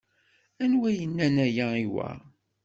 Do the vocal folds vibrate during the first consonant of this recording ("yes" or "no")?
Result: yes